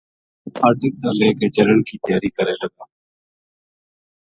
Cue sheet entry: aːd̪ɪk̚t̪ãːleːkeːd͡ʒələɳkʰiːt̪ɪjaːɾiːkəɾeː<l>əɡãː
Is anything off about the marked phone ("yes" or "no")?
no